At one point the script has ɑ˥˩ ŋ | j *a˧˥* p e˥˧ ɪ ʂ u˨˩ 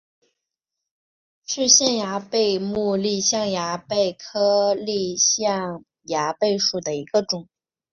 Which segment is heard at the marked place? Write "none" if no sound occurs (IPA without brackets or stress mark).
a˧˥